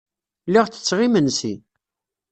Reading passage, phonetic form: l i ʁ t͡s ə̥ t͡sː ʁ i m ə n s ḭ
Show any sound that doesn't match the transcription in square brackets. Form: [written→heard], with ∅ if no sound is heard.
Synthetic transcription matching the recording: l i ʁ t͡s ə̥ t͡sː ʁ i m ə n s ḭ